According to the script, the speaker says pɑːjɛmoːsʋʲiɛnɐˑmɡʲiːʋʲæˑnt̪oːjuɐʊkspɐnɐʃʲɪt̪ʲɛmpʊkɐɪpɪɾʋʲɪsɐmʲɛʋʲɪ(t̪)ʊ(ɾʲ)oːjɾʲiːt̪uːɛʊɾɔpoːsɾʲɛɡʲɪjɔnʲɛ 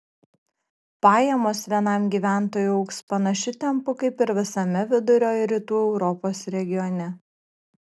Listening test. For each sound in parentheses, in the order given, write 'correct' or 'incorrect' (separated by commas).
incorrect, correct